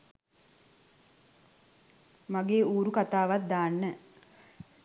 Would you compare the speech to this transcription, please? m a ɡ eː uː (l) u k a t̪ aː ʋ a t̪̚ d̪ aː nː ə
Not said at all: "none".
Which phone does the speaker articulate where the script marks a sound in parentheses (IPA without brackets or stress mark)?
ɾ